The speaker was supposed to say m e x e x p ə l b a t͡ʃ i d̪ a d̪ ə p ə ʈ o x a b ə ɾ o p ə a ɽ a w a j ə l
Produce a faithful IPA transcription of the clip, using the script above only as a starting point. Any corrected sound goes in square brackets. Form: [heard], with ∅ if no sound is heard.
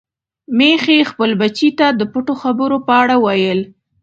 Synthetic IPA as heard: m e x e x p ə l b a t͡ʃ i [t̪] a d̪ ə p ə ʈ o x a b ə ɾ o p ə a ɽ a w a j ə l